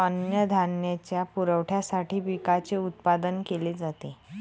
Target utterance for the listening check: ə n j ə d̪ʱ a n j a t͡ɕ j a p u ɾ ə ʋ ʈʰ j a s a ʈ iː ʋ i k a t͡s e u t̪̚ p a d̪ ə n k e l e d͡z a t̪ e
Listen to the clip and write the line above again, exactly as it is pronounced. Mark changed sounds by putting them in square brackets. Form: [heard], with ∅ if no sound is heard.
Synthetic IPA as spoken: ə n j ə d̪ʱ a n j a t͡ɕ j a p u ɾ ə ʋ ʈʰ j a s a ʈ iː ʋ i k a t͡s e u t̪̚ p a d̪ ə n k e l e d͡z a t̪ e